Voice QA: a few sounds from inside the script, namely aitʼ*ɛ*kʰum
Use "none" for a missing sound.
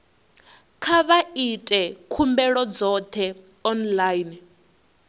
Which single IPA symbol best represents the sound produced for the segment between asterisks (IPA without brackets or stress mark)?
ɛ